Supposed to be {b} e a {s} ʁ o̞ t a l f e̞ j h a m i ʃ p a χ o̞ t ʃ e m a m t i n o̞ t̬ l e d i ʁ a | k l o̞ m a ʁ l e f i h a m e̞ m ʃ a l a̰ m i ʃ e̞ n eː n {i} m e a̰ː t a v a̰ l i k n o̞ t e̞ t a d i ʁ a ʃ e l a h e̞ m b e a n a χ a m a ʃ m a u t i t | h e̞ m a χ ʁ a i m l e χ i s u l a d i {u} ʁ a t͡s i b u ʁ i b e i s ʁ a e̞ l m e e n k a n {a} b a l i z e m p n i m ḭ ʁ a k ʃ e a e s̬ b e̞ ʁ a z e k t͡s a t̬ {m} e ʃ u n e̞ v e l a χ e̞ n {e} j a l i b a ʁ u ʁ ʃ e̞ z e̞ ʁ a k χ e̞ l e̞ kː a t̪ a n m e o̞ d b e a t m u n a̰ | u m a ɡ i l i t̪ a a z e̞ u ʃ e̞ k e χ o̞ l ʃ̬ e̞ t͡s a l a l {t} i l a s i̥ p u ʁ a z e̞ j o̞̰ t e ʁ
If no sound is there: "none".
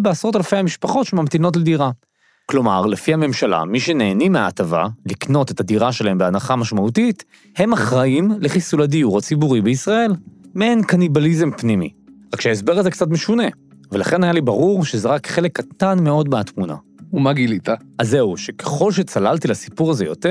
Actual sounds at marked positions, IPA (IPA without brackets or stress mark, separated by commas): b, s, i, u, i, m, a, t